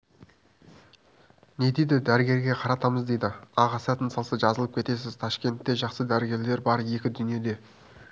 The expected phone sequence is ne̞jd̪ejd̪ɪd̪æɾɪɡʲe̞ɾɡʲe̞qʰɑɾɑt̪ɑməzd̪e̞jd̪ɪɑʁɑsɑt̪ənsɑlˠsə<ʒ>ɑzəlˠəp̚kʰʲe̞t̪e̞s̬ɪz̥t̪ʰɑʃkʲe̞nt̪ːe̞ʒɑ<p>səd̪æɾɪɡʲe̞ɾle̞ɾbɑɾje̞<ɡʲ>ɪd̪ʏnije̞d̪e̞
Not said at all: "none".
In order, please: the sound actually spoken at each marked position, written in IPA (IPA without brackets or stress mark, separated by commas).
ʒ, q, kʲ